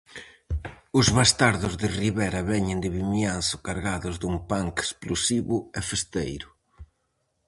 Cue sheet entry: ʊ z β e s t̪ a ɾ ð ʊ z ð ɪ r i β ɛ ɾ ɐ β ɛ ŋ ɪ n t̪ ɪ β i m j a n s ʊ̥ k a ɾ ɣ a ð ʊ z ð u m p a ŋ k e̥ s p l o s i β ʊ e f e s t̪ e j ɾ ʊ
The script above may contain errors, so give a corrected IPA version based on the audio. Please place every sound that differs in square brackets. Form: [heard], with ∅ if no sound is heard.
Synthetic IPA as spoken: ʊ z β [a] s t̪ a ɾ ð ʊ z ð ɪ r i β ɛ ɾ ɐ β ɛ [ɲ] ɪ n [d̪] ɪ β i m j a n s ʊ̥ k a ɾ ɣ a ð ʊ z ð u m p a ŋ k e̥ s p l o s i β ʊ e f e s t̪ e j ɾ ʊ